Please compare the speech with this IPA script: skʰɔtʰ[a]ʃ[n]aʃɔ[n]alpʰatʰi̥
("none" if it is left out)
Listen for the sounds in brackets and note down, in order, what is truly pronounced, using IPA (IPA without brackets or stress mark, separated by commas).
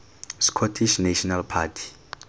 i, n, n